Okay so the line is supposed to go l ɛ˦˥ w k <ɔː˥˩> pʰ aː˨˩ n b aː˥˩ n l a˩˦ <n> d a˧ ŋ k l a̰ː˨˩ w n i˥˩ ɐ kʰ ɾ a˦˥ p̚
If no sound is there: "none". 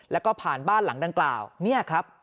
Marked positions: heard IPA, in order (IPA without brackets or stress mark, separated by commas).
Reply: ɔː˥˩, ŋ